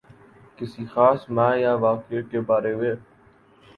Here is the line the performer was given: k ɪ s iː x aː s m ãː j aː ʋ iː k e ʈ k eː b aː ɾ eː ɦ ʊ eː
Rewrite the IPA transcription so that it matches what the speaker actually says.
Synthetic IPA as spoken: k ɪ s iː x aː s m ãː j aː ʋ aː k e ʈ k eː b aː ɾ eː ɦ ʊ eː

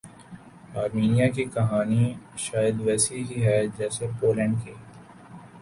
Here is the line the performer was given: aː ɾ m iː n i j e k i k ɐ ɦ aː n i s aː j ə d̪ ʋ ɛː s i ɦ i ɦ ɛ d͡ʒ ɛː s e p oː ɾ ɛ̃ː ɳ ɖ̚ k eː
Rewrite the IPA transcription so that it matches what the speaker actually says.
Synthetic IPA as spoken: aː ɾ m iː n i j a k i k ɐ ɦ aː n i ʃ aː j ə d̪ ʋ ɛː s i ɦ i ɦ ɛ d͡ʒ ɛː s e p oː l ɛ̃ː ɳ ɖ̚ k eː

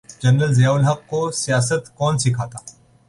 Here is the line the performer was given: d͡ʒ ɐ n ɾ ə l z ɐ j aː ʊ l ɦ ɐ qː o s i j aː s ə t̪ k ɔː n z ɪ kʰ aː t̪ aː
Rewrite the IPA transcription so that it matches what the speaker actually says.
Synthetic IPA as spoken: d͡ʒ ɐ n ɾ ə l z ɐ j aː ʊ l ɦ ɐ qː o s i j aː s ə t̪ k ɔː n s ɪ kʰ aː t̪ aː

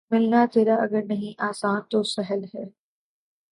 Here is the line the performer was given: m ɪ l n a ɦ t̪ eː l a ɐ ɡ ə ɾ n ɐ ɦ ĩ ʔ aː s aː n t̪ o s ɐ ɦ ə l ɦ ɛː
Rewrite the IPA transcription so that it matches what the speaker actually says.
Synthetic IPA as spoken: m ɪ l n a t̪ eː ɾ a ɐ ɡ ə ɾ n ɐ ɦ ĩ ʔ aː s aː n t̪ o s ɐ ɦ ə l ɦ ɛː

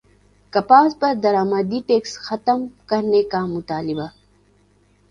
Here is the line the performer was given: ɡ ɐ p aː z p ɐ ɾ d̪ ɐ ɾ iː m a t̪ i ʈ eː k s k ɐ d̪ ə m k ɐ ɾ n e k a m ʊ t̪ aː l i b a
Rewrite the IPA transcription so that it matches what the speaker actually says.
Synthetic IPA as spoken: k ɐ p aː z p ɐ ɾ d̪ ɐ ɾ aː m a d̪ i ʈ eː k s x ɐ t̪ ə m k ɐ ɾ n e k a m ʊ t̪ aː l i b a

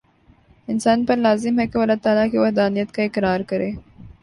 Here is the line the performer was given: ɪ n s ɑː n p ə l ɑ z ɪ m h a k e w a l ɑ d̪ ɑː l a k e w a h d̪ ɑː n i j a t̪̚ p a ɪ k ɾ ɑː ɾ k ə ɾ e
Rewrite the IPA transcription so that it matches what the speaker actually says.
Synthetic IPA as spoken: ɪ n s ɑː n p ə l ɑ z ɪ m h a k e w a l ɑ t̪ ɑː l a k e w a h d̪ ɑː n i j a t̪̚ k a ɪ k ɾ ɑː ɾ k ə ɾ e

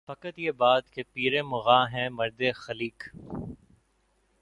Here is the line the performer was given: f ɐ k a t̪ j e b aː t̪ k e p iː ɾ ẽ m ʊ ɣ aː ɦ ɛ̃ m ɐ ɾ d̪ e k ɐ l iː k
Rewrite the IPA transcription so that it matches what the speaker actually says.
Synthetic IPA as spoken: f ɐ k ə t̪ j e b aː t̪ k e p iː ɾ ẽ m ʊ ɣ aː ɦ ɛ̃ m ɐ ɾ d̪ e x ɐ l iː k

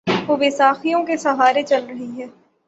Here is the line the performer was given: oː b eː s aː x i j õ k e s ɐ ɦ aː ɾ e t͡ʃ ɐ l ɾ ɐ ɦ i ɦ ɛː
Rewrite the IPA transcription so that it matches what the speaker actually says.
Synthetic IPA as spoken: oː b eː s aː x i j õ k e s ɐ ɦ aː ɾ e t͡ʃ ɐ l ɾ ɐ ɦ i ɦ ɛː

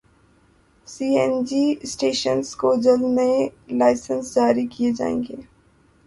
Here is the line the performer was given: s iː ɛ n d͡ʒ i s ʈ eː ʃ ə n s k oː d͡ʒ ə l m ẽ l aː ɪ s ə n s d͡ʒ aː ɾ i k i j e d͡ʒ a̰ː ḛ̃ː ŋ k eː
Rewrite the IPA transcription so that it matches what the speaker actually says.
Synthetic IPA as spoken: s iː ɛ n d͡ʒ i s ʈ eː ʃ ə n s k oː d͡ʒ ə l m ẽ l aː ɪ s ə n s d͡ʒ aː ɾ i k i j e d͡ʒ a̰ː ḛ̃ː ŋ ɡ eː

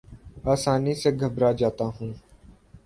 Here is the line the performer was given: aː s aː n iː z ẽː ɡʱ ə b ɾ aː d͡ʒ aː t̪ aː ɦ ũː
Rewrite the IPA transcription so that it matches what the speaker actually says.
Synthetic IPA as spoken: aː s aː n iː s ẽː ɡʱ ə b ɾ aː d͡ʒ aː t̪ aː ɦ ũː

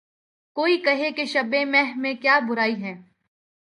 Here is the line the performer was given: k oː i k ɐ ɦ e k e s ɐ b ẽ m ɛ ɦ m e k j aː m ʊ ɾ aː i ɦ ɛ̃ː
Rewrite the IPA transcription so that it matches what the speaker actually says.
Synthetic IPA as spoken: k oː i k ɐ ɦ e k e ʃ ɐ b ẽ m ɛ ɦ m ẽ k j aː b ʊ ɾ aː i ɦ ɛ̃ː

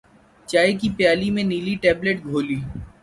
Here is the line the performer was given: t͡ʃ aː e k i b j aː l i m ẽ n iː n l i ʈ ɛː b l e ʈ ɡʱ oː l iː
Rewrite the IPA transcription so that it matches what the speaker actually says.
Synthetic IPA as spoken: t͡ʃ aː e k i p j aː l i m ẽ n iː l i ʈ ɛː b l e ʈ ɡʱ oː l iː

